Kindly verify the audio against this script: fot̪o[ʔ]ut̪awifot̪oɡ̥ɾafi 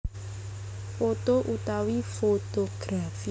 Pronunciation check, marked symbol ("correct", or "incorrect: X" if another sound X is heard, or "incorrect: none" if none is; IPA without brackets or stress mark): correct